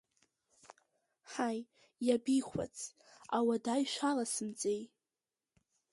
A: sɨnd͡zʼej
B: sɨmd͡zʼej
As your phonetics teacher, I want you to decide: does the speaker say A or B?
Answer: B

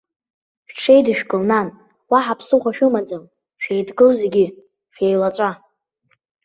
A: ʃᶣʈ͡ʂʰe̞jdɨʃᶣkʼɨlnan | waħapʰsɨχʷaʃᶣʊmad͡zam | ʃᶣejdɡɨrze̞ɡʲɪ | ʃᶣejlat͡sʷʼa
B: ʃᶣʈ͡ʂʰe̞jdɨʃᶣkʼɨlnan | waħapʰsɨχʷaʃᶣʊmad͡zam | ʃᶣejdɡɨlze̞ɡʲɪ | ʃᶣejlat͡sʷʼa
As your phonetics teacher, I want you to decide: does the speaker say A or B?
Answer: B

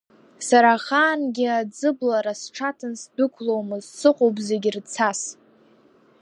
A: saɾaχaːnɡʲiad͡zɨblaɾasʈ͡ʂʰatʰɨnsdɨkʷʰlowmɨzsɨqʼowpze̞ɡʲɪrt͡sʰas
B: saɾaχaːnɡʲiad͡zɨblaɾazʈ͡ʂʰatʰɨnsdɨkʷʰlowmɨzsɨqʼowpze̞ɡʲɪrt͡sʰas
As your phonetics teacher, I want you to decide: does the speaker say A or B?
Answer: A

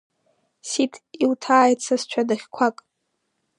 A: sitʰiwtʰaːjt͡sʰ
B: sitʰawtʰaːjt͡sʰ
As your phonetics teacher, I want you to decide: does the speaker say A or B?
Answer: A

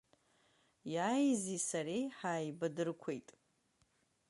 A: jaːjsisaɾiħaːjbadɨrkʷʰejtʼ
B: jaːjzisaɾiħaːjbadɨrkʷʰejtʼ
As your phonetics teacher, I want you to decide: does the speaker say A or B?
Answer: B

